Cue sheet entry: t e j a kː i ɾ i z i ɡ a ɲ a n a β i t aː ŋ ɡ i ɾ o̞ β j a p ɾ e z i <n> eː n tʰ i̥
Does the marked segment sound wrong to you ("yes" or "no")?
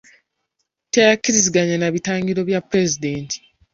yes